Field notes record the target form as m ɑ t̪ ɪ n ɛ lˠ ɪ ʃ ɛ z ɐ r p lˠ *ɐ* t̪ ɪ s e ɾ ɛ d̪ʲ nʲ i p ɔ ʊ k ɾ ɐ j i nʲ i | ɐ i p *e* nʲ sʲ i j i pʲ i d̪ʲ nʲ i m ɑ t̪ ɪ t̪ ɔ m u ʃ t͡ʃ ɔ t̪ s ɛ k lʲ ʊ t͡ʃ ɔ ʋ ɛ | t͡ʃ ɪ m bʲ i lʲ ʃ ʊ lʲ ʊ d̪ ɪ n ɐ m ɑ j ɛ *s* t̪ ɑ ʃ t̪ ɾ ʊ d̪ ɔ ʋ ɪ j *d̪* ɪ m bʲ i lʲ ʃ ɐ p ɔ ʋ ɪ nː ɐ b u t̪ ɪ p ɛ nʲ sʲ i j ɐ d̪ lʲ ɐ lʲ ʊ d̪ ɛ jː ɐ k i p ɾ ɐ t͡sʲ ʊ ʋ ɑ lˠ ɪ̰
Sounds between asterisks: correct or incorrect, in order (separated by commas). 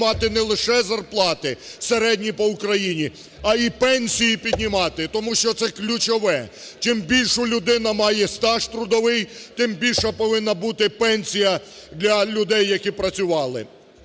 incorrect, incorrect, correct, incorrect